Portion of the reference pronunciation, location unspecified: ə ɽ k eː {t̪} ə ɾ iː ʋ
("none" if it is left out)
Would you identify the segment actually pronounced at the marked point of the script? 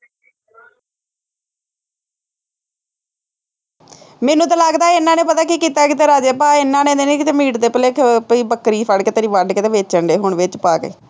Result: t̪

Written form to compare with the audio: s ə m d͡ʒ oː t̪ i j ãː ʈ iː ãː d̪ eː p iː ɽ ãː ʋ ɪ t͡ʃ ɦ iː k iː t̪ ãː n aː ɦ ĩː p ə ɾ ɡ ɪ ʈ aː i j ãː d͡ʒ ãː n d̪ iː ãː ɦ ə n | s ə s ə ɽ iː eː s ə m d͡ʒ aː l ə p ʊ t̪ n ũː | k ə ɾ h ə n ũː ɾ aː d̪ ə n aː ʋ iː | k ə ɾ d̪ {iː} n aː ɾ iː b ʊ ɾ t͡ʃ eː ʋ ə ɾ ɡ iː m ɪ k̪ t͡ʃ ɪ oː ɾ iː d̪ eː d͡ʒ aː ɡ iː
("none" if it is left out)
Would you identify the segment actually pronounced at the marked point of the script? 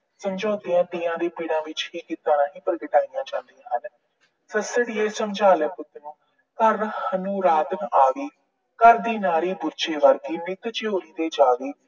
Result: iː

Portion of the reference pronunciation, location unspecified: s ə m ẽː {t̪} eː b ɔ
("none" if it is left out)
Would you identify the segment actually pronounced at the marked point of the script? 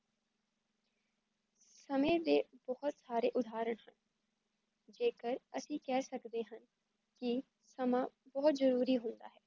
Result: d̪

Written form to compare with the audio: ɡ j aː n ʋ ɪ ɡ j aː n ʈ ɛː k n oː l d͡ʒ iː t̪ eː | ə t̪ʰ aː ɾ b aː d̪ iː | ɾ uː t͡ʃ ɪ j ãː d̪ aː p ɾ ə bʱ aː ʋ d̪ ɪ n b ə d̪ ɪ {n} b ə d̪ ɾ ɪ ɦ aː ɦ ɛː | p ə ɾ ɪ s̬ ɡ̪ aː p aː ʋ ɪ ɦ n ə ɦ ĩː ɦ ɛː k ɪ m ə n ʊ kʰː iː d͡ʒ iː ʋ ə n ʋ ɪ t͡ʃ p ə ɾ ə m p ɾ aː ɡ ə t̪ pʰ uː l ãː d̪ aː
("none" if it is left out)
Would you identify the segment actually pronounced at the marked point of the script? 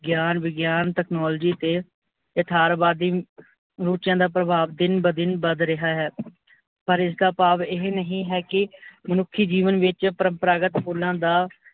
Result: n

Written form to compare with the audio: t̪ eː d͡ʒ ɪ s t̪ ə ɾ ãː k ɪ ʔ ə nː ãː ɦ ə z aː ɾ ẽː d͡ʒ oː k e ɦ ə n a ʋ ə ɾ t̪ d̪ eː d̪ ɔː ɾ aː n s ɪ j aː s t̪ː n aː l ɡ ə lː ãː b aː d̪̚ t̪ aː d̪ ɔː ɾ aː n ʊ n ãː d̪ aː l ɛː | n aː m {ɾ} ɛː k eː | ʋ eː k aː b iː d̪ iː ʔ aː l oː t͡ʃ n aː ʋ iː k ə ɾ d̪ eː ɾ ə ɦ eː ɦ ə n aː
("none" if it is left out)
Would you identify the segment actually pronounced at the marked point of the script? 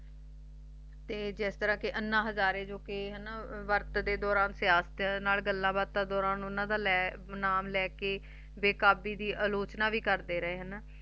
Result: l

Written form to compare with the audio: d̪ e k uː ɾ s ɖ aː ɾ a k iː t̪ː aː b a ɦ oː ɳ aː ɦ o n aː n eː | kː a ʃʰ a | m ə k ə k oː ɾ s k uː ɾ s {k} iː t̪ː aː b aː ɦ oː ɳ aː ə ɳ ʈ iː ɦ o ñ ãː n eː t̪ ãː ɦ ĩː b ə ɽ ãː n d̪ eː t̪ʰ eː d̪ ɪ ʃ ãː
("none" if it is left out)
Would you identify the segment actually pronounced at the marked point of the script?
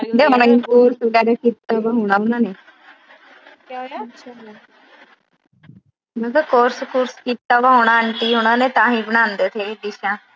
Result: k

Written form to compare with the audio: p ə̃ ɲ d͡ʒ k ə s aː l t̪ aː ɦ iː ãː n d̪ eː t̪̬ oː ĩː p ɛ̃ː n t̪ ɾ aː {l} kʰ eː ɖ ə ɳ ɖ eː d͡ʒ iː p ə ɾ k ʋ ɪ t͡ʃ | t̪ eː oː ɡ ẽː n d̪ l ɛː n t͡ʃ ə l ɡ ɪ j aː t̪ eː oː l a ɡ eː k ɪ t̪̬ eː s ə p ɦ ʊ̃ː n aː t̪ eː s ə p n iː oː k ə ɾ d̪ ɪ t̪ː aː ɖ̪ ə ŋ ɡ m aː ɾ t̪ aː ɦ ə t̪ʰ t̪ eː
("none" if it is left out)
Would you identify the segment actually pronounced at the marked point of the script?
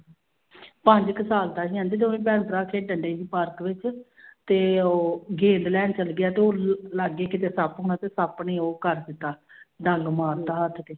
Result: none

